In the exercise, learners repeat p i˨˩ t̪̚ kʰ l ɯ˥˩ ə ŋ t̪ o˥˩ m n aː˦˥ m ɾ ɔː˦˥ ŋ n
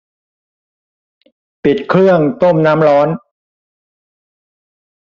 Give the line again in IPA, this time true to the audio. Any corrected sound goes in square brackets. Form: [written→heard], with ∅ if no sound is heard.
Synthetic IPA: p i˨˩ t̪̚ kʰ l ɯ˥˩ ə ŋ t̪ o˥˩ m n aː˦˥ m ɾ ɔː˦˥ [ŋ→∅] n